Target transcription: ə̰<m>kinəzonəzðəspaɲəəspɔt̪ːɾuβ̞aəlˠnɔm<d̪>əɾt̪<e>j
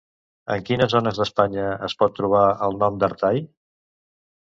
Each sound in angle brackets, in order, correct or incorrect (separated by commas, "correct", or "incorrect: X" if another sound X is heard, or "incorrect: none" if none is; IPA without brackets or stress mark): incorrect: ŋ, correct, incorrect: a